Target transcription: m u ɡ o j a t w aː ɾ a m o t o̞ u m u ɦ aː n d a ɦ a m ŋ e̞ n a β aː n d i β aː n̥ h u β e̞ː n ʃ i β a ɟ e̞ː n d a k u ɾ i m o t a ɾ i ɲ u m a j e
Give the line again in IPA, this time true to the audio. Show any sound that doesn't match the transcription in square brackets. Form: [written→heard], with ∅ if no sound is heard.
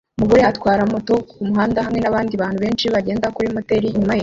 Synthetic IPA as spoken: m u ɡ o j a t w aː ɾ a m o t o̞ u m u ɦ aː n d a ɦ a m ŋ e̞ n a β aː n d i β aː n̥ h u β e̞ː n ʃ i β a ɟ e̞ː n d a k u ɾ i m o t [a→e] ɾ i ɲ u m a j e